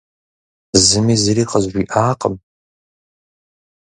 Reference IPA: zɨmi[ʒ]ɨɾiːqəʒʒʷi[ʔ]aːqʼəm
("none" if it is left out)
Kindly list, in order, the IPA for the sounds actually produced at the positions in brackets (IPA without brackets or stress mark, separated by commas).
z, ʔ